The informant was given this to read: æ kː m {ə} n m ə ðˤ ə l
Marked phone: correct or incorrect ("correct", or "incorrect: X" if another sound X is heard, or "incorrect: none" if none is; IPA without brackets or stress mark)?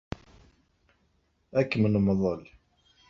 correct